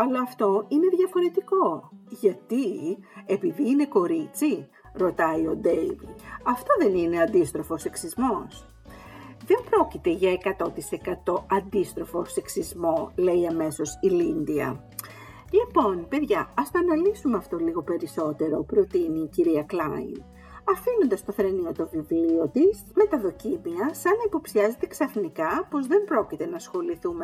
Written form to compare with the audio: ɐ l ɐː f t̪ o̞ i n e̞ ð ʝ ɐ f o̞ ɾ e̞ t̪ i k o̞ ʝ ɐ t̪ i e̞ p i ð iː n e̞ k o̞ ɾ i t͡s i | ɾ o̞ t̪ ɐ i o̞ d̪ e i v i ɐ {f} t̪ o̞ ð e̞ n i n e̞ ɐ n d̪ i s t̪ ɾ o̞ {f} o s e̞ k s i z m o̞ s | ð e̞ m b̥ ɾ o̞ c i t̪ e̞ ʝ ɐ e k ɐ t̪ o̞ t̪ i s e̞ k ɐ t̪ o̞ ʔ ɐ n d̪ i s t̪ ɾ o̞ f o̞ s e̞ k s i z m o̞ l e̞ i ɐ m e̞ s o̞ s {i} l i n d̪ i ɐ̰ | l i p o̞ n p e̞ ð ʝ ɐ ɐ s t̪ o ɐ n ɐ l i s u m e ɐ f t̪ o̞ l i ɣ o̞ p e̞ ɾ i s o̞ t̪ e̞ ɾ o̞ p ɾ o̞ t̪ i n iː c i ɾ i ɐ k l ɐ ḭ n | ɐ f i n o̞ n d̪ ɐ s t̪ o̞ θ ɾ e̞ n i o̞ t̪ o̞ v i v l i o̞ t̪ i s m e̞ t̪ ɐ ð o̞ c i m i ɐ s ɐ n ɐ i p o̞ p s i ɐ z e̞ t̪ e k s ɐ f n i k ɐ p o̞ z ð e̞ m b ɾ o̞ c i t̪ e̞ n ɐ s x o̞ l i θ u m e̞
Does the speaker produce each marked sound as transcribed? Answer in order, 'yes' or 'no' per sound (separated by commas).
yes, yes, yes